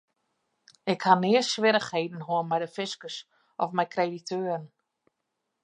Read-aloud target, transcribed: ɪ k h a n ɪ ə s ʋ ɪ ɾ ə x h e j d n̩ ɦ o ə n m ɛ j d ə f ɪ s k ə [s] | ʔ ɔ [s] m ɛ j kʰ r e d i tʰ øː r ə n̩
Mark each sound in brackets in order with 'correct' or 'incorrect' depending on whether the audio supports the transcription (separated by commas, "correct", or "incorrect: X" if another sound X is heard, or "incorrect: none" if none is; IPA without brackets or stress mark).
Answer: correct, incorrect: f